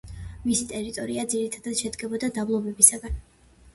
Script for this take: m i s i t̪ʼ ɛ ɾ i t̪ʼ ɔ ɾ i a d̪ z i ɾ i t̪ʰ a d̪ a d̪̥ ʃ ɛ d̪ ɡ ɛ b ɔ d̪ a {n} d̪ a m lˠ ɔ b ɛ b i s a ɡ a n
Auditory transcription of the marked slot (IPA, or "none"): none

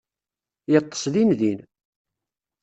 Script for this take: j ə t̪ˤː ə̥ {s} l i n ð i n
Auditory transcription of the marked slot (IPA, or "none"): s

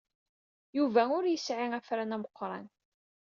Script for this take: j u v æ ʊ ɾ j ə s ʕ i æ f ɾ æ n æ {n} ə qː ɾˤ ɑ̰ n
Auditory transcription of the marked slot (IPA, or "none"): m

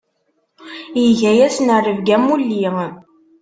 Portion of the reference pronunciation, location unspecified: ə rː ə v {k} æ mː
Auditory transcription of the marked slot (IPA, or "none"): ɡ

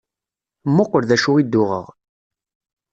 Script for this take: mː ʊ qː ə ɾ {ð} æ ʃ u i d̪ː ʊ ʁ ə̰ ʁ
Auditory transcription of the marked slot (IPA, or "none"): ð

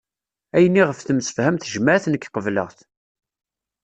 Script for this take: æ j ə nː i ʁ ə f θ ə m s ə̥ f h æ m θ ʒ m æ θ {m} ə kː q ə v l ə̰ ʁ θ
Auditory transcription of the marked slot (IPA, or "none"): n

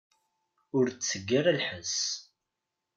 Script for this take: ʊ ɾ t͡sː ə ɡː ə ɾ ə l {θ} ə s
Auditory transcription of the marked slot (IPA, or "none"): ħ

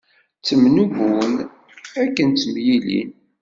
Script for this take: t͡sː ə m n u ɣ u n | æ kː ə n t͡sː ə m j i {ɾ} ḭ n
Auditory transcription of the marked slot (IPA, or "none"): l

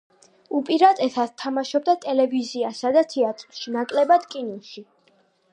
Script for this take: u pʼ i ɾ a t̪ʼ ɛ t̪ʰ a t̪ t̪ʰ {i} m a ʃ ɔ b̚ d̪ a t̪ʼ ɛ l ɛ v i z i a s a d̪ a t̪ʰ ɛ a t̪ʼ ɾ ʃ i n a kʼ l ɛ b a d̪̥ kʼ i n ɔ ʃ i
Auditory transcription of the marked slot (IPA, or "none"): a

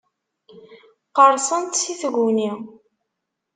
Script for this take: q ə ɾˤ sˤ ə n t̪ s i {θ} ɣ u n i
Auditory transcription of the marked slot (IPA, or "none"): θ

